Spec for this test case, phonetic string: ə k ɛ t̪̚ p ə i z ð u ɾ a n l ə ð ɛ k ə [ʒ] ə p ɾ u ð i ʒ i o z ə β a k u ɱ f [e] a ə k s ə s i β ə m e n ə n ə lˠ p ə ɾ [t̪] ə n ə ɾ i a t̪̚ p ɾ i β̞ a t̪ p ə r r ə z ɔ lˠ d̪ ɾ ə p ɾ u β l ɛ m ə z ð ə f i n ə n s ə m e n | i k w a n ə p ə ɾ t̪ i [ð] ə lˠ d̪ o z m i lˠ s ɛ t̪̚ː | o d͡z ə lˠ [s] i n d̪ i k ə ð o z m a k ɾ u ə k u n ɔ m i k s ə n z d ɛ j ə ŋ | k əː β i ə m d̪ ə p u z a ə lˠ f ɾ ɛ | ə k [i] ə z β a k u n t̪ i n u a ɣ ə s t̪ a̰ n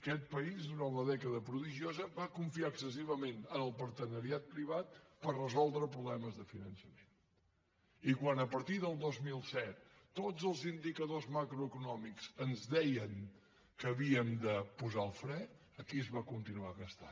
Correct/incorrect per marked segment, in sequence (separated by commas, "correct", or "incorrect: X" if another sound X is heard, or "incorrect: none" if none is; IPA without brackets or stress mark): incorrect: ð, incorrect: i, correct, correct, incorrect: z, correct